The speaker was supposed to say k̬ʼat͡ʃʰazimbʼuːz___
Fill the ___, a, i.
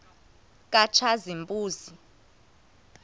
i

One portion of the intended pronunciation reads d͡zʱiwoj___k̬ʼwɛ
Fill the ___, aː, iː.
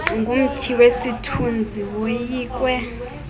iː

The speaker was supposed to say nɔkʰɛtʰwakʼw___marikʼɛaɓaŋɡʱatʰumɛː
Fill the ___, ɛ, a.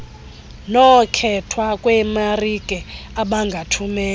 ɛ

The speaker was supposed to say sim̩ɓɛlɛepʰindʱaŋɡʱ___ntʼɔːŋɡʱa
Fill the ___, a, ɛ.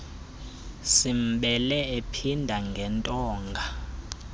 ɛ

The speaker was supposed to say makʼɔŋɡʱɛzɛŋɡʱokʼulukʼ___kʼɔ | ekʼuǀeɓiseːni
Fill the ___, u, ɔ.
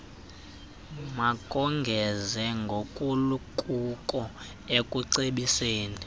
u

